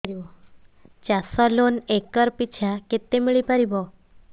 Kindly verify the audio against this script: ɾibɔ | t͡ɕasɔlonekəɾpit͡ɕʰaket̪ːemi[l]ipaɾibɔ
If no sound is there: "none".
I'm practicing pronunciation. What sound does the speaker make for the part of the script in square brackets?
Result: ɭ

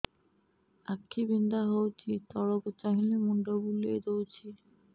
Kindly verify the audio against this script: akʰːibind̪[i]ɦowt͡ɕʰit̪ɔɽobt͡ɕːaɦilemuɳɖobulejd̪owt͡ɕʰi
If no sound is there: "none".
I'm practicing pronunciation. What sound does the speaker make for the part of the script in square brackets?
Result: a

